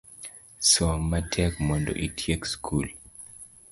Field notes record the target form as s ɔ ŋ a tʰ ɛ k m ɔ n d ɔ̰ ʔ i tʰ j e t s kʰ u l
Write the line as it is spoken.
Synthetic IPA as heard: s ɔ m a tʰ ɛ k m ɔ n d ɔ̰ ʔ i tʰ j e k s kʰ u l